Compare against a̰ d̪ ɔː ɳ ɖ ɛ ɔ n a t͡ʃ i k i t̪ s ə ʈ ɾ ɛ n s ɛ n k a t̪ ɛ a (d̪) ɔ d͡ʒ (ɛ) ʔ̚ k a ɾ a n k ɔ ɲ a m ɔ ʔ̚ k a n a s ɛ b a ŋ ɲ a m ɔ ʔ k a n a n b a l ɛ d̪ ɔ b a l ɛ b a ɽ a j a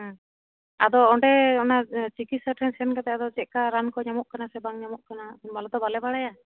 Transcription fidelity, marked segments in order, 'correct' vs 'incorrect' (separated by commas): correct, correct